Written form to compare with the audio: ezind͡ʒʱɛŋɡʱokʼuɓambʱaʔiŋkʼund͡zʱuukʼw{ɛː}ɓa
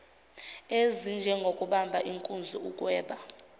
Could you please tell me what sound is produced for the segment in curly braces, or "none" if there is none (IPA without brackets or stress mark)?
ɛː